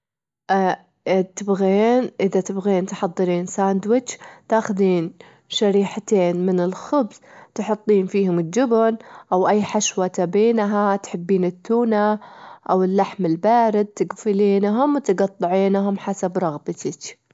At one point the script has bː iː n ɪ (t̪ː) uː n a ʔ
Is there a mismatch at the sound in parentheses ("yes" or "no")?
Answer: no